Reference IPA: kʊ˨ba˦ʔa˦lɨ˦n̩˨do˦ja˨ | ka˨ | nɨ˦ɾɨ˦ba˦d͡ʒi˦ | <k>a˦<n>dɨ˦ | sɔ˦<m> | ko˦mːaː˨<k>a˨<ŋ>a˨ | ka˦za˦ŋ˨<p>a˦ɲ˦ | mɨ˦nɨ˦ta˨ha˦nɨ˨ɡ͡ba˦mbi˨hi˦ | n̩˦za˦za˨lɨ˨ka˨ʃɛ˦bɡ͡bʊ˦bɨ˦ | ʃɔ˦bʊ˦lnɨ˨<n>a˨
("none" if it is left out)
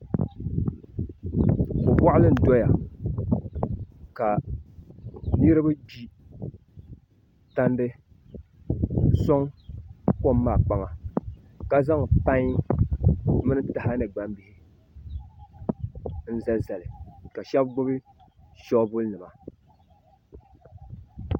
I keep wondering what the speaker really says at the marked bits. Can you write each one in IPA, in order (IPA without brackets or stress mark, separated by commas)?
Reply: t, n, ŋ, k͡p, ŋ, p, m